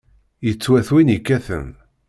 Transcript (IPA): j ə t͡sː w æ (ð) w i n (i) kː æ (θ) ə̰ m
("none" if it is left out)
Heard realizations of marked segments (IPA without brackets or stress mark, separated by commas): θ, i, θ